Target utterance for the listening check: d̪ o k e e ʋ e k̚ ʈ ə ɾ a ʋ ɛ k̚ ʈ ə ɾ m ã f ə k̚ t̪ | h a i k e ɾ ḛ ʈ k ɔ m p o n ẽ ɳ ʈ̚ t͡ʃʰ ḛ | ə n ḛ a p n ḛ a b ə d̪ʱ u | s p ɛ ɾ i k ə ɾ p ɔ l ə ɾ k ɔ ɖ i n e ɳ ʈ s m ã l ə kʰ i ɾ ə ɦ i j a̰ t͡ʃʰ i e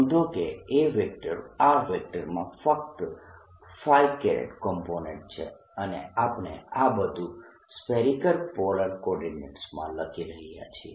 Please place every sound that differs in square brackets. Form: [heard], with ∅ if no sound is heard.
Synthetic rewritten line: d̪ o k e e ʋ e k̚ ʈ ə ɾ a ʋ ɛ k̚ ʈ ə ɾ m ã f ə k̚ t̪ | [f] a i k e ɾ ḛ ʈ k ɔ m p o n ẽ ɳ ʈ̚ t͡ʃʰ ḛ | ə n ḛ a p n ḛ a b ə d̪ʱ u | s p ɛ ɾ i k ə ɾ p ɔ l ə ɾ k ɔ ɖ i n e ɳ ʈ s m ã l ə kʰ i ɾ ə ɦ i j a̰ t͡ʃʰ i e